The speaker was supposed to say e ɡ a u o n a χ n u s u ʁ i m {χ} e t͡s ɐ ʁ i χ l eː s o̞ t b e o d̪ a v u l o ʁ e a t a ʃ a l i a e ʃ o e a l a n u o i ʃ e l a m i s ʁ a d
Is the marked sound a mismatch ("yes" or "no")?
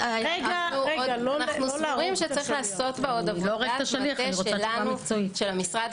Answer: yes